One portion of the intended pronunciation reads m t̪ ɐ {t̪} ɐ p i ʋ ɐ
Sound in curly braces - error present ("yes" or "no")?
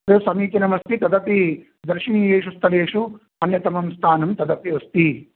yes